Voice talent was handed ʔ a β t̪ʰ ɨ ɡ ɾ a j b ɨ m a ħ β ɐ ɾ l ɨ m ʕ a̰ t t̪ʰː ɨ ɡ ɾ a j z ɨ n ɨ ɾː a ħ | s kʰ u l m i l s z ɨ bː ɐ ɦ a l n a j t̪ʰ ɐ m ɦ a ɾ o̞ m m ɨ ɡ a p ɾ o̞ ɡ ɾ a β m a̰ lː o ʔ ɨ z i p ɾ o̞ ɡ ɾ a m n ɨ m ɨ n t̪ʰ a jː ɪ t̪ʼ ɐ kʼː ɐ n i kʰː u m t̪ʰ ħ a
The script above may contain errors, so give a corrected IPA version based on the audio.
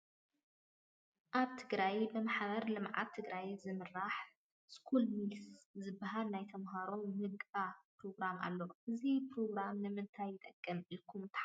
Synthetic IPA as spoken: ʔ a β t̪ʰ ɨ ɡ ɾ a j b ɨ m a ħ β ɐ ɾ l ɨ m ʕ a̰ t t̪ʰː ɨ ɡ ɾ a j z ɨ m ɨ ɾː a ħ | s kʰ u l m i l s z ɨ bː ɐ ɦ a l n a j t̪ʰ ɐ m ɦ a ɾ o̞ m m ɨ ɡ a p ɾ o̞ ɡ ɾ a m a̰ lː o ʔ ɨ z i p ɾ o̞ ɡ ɾ a m n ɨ m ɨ n t̪ʰ a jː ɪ t̪ʼ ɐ kʼː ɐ m i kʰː u m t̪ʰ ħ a